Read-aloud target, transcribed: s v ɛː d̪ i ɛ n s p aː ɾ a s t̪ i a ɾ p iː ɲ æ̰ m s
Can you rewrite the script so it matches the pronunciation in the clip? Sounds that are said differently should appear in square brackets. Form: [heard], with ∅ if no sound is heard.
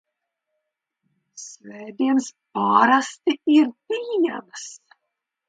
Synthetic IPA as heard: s v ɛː d̪ i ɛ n s p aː ɾ a s t̪ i [i] ɾ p iː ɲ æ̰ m s